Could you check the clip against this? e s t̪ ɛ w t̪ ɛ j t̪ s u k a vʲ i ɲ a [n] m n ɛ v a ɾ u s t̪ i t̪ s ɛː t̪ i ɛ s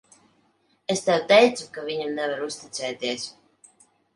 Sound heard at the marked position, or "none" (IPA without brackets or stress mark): none